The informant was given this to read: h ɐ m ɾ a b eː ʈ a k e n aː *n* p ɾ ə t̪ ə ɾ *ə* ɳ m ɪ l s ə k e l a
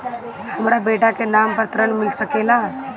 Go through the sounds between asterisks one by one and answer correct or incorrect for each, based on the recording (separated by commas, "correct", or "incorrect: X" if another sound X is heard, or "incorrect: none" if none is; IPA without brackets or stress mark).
incorrect: m, correct